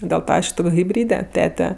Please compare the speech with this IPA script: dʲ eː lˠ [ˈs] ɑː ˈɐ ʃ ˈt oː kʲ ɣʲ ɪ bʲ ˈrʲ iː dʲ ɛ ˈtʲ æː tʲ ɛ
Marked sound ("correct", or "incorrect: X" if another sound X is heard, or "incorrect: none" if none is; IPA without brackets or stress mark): incorrect: t